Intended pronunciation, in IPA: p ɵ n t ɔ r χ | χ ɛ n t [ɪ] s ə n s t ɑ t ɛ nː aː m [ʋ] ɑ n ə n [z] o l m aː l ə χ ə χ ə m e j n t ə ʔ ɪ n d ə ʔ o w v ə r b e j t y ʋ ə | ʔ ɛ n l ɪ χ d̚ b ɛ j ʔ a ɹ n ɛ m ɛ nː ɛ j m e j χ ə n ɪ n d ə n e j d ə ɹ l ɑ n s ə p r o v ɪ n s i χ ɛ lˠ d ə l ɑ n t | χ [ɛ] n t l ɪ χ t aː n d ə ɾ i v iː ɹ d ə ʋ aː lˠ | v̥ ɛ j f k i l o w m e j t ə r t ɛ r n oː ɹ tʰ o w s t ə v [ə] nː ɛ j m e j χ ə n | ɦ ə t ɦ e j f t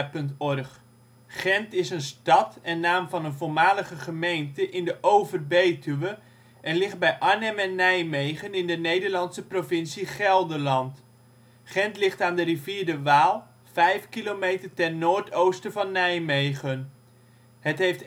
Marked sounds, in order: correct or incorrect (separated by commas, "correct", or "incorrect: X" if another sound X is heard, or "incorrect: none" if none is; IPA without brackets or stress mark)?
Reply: correct, incorrect: v, incorrect: v, correct, incorrect: ɑ